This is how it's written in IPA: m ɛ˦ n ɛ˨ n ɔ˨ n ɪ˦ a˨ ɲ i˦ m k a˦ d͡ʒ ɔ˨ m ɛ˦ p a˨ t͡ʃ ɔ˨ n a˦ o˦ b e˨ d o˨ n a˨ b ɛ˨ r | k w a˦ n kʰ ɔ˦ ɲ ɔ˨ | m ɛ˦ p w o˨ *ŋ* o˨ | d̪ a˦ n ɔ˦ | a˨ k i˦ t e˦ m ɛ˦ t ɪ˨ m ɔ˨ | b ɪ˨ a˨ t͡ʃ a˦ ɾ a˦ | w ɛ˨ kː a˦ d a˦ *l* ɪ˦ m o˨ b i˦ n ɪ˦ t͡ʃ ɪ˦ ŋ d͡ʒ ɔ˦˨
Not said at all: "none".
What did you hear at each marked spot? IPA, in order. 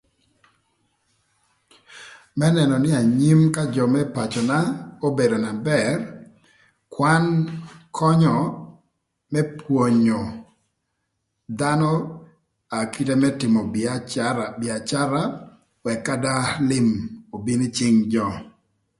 ɲ, l

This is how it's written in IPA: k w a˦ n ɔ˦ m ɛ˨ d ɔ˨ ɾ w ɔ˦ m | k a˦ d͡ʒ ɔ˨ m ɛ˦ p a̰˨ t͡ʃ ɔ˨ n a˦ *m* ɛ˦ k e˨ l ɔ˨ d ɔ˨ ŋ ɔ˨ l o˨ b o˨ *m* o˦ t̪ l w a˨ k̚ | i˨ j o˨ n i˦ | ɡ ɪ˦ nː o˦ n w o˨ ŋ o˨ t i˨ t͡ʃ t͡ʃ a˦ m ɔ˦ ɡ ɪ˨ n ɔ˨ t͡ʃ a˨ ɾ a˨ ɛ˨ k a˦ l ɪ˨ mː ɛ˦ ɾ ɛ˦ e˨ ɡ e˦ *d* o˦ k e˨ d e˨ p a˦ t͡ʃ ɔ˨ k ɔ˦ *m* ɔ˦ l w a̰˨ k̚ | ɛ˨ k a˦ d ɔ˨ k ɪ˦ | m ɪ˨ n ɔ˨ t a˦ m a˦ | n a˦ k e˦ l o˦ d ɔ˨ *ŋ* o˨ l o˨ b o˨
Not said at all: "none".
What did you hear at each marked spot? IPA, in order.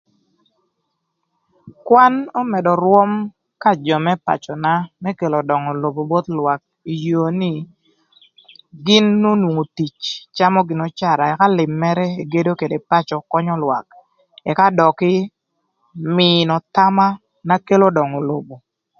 m, b, d, ɲ, ŋ

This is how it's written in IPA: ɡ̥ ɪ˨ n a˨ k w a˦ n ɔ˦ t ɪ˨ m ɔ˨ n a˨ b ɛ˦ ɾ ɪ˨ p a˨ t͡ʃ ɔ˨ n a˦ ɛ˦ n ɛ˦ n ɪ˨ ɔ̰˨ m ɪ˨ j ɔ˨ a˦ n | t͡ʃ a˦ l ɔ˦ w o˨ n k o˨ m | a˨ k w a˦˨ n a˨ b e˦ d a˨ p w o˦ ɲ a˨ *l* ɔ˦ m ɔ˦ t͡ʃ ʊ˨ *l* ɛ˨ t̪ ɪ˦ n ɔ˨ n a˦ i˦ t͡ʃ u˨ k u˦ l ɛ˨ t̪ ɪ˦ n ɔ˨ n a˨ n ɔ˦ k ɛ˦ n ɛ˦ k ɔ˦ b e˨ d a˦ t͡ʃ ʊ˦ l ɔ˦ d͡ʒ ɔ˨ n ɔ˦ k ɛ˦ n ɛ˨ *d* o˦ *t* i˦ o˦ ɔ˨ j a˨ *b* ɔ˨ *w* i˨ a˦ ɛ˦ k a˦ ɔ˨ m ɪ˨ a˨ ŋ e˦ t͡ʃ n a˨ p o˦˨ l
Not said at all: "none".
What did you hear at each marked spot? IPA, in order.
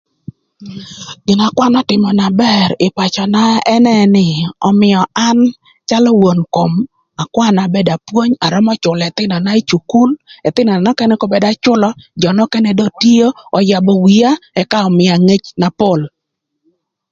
ɾ, l, d, t, b, w

